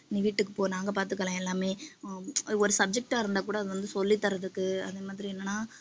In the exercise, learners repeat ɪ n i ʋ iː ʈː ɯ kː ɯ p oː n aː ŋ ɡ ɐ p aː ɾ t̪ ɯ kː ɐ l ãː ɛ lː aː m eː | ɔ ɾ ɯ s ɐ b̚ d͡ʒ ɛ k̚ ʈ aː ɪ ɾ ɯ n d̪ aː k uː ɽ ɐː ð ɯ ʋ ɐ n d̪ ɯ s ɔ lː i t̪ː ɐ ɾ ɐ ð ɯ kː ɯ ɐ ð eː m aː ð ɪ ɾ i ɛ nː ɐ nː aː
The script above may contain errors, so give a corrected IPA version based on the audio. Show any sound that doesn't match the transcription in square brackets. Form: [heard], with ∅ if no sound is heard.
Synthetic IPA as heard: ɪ n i ʋ iː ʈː ɯ kː ɯ p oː n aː ŋ ɡ ɐ p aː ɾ t̪ ɯ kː ɐ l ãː ɛ lː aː m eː | ɔ ɾ ɯ s ɐ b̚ d͡ʒ ɛ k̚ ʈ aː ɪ ɾ ɯ n d̪ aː k uː ɽ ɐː ð ɯ ʋ ɐ n d̪ ɯ s ɔ lː i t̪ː ɐ ɾ ɐ ð ɯ kː ɯ ɐ ð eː m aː ð ɪ ɾ i ɛ nː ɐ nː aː